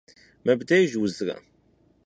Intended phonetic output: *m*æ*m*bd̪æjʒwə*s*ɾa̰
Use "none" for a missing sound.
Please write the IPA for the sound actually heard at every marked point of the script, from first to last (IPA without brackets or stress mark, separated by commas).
m, none, z